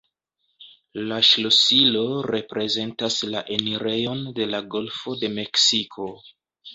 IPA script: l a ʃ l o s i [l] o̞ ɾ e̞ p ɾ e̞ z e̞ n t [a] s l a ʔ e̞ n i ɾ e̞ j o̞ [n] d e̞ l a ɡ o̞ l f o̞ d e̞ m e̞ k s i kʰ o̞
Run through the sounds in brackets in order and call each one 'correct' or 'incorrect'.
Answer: correct, correct, correct

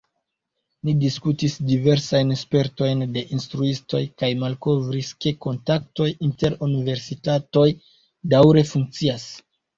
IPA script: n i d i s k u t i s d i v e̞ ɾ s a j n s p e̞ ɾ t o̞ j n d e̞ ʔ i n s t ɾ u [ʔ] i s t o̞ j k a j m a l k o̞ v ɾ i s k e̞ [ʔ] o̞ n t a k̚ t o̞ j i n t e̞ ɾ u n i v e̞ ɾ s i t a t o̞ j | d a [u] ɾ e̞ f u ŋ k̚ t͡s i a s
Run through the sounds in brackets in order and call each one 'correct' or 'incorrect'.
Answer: incorrect: none, incorrect: k, incorrect: w

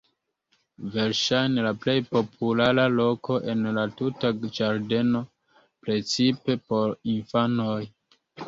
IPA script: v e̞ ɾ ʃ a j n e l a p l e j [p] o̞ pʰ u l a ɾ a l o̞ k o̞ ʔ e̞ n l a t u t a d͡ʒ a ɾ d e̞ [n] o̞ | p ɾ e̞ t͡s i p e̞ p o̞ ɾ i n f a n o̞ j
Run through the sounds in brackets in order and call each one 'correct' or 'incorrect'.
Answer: correct, correct

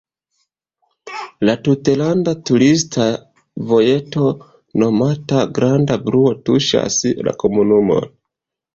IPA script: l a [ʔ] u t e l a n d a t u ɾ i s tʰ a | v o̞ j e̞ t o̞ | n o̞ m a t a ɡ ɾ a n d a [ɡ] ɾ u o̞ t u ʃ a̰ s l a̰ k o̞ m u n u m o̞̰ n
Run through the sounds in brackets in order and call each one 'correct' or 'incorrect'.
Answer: incorrect: t, incorrect: b

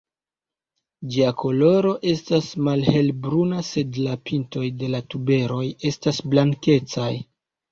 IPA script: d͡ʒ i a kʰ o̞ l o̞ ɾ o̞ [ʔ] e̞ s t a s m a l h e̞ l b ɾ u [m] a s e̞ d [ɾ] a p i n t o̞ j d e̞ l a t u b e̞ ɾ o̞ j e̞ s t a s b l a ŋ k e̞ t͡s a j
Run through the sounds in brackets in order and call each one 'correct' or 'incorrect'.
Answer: correct, incorrect: n, incorrect: l

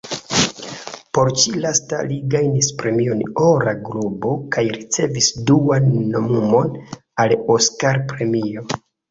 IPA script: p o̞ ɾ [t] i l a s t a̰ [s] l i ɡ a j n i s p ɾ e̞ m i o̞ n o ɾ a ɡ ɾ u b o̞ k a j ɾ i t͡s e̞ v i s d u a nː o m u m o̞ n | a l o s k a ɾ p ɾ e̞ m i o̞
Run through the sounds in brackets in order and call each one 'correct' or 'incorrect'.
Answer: incorrect: t͡ʃ, incorrect: none

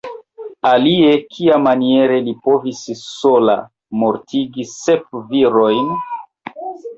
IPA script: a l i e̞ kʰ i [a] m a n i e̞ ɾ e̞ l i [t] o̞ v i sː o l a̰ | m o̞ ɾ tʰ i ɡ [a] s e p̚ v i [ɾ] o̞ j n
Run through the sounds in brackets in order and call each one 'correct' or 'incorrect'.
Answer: correct, incorrect: p, incorrect: i, correct

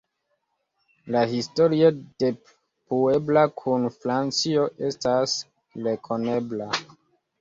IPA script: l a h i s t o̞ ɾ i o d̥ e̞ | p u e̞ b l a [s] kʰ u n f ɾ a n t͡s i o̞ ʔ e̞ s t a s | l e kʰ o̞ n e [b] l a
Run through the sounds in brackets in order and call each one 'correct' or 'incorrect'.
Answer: incorrect: none, correct

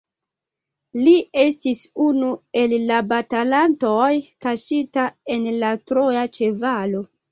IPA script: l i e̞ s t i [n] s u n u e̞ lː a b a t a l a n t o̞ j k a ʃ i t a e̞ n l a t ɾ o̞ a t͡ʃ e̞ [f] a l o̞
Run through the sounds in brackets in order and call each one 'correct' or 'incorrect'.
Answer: incorrect: none, incorrect: v

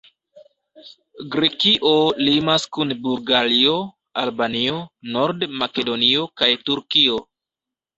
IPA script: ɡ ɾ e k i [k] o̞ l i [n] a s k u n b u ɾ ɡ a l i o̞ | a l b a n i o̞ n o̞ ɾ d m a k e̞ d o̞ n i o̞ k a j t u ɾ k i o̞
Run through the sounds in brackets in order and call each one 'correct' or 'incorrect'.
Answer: incorrect: ʔ, incorrect: m

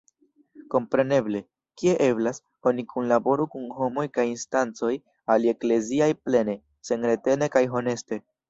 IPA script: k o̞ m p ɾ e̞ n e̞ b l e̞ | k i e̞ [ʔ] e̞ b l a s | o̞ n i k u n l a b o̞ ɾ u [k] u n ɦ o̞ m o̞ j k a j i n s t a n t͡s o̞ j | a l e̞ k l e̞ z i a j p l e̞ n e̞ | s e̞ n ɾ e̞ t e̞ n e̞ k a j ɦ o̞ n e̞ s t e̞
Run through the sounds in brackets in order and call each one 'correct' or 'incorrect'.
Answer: correct, correct

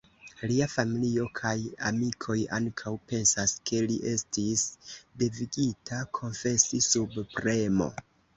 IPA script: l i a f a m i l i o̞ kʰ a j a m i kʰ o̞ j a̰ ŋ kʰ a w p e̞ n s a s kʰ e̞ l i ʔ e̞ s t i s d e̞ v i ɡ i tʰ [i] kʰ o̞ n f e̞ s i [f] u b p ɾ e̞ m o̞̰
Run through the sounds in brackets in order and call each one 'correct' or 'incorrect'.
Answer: incorrect: a, incorrect: s

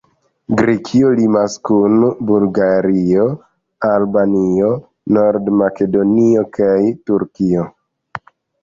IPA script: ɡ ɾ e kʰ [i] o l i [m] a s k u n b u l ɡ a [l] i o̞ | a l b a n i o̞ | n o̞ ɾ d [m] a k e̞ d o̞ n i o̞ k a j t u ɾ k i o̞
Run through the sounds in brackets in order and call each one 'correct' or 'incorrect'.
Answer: correct, correct, incorrect: ɾ, correct

